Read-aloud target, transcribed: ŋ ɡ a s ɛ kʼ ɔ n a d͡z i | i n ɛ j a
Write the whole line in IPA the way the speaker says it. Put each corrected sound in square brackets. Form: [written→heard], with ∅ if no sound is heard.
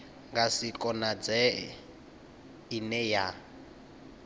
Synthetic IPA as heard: ŋ ɡ a s [ɛ→i] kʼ ɔ n a d͡z [i→ɛ] | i n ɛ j a

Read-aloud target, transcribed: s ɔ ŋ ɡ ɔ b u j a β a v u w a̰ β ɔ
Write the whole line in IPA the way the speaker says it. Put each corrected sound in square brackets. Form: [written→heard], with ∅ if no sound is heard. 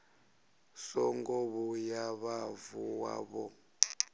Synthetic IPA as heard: s ɔ ŋ ɡ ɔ [b→β] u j a β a v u w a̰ β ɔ

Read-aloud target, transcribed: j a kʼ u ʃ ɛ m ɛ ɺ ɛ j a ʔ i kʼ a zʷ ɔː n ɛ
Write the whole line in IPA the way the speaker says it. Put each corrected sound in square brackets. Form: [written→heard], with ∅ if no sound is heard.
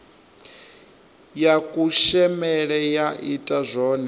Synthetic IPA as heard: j a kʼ u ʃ ɛ m ɛ ɺ ɛ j a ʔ i [kʼ→tʼ] a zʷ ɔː n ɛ

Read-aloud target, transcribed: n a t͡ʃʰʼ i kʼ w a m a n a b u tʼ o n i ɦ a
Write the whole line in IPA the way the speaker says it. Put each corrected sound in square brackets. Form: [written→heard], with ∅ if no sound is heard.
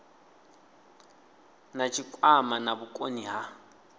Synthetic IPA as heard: n a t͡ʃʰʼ i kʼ w a m a n a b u [tʼ→kʼ] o n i ɦ a

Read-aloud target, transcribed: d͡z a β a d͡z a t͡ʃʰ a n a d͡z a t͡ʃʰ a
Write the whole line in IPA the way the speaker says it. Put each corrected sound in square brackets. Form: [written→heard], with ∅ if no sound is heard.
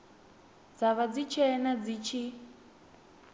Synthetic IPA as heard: d͡z a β a d͡z [a→i] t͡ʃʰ [a→ɛ] n a d͡z [a→i] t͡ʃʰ [a→i]

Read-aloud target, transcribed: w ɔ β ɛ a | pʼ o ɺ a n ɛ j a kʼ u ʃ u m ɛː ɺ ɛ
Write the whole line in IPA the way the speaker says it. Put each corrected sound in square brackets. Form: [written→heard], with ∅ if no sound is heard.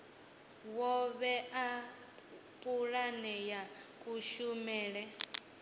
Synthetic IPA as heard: w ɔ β ɛ a | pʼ [o→u] ɺ a n ɛ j a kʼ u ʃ u m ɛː ɺ ɛ

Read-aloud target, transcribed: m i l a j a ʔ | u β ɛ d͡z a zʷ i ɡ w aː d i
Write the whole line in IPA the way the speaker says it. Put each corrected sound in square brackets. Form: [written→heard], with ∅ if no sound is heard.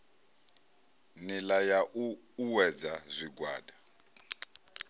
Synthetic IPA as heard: [m→n] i l a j a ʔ | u [β→w] ɛ d͡z a zʷ i ɡ w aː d [i→a]

